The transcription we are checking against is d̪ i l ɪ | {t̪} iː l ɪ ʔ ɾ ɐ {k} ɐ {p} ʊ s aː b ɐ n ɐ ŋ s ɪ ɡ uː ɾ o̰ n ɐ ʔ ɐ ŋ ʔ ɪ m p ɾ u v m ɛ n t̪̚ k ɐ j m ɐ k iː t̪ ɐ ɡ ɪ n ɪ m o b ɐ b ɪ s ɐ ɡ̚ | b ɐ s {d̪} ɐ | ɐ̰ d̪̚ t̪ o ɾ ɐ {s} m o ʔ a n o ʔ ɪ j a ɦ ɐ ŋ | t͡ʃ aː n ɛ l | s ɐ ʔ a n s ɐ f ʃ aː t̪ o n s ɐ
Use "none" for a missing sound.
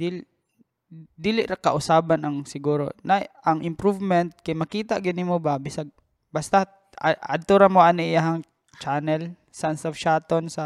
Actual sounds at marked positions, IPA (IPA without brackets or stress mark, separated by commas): d̪, k, ʔ, t̪, none